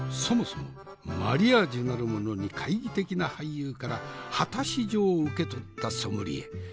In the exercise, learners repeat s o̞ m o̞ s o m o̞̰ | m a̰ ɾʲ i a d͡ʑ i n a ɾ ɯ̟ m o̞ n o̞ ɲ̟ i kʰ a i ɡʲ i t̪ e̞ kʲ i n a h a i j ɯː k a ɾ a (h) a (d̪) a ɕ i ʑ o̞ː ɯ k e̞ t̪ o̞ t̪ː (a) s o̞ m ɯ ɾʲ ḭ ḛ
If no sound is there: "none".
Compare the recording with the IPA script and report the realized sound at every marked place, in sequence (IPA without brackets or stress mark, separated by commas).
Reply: h, t̪, a